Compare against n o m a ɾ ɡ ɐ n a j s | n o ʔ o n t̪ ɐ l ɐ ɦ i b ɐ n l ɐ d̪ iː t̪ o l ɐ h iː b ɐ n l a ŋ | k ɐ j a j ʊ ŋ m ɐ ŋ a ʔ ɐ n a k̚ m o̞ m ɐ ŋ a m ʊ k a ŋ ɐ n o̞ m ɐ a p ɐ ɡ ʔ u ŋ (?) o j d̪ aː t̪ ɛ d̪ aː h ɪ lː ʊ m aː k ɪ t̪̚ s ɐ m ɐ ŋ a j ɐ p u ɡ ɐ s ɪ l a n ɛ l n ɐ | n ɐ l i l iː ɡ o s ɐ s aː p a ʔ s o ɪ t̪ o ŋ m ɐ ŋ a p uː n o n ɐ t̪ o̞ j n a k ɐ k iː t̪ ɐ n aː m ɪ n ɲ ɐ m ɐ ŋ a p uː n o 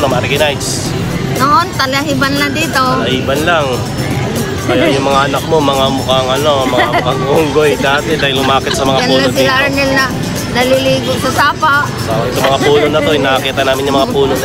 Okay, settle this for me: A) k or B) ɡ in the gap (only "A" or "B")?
B